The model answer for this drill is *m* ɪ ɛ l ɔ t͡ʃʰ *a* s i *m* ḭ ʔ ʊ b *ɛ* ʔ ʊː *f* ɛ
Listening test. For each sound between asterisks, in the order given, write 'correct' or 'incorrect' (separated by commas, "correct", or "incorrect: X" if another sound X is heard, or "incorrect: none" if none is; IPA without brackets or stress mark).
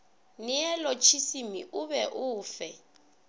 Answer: incorrect: n, incorrect: i, correct, correct, correct